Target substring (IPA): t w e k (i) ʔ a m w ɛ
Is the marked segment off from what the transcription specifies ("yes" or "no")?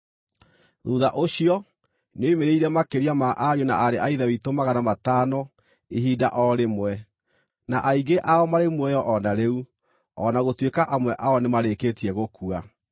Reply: yes